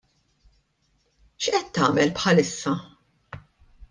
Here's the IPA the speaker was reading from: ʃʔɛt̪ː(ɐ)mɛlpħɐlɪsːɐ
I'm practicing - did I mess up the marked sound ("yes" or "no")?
yes